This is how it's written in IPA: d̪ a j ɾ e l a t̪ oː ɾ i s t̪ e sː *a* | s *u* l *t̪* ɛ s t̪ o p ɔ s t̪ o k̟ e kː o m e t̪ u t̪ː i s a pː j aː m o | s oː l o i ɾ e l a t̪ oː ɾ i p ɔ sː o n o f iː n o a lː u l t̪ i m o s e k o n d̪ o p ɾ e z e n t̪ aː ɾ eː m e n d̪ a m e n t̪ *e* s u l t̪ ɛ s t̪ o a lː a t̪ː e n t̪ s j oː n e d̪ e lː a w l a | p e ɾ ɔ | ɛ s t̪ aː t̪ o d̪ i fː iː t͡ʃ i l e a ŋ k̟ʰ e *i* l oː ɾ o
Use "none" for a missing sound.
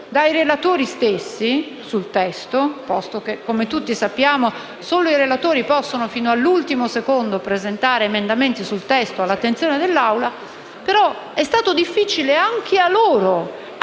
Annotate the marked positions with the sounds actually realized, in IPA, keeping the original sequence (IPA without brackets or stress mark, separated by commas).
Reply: i, u, t̪, i, a